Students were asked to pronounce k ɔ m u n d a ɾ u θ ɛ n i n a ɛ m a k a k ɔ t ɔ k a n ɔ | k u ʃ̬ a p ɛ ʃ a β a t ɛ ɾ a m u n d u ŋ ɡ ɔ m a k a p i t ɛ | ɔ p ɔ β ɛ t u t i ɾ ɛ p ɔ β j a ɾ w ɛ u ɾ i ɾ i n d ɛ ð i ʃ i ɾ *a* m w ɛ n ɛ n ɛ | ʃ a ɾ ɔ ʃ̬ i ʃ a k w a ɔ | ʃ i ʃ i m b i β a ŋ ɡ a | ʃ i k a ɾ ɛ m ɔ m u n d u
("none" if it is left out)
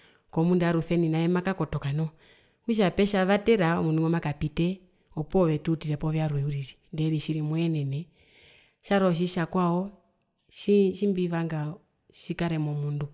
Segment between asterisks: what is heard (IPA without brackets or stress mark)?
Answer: i